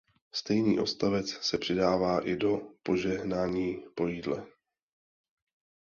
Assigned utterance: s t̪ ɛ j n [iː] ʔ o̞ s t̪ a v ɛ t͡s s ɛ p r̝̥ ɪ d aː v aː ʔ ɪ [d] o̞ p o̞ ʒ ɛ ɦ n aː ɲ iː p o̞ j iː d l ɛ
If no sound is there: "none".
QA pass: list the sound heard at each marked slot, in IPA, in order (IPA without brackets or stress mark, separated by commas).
iː, d